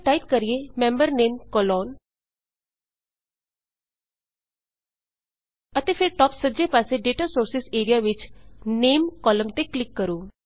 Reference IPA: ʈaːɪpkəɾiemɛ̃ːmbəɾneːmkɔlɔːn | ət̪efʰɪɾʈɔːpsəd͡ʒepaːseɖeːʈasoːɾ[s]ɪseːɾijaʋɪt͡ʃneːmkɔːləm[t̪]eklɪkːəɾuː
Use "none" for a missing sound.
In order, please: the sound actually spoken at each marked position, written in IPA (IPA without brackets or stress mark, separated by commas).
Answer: s, t̪